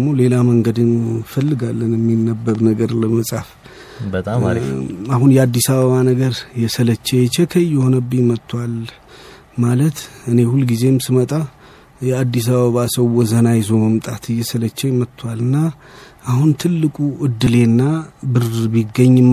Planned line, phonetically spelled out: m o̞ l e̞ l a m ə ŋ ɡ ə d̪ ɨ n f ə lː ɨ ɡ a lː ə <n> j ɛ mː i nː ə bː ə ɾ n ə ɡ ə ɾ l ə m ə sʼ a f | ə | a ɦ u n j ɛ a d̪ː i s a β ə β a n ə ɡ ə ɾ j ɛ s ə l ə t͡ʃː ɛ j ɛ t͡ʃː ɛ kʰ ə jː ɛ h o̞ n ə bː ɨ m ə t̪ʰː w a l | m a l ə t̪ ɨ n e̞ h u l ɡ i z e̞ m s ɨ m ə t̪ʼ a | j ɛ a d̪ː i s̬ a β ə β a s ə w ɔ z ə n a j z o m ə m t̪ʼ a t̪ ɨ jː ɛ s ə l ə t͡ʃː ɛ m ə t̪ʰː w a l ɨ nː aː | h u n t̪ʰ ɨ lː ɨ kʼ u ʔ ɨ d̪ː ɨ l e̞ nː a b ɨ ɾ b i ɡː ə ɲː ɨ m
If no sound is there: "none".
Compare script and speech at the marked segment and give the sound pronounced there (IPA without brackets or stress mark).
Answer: n